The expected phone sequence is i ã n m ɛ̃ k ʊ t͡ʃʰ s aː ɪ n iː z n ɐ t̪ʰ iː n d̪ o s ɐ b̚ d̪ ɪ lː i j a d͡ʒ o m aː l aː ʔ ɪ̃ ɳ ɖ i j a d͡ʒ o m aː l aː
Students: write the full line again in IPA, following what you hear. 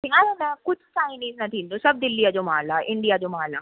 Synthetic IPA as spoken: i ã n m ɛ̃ k ʊ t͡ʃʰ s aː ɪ n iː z n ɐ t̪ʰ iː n d̪ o s ɐ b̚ d̪ ɪ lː i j a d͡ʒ o m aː l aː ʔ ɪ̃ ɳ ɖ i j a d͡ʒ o m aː l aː